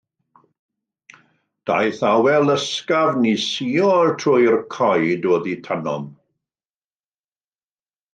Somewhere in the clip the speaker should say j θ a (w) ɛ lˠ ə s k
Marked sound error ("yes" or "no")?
no